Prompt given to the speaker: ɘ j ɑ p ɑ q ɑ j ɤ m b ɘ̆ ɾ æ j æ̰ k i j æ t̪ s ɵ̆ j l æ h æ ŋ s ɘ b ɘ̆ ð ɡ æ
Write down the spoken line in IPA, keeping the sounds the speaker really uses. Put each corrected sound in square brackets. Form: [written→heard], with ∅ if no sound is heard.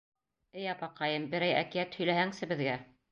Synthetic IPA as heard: ɘ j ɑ p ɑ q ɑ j ɤ m b ɘ̆ ɾ æ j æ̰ k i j æ t̪ [s→h] ɵ̆ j l æ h æ ŋ s ɘ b ɘ̆ ð ɡ æ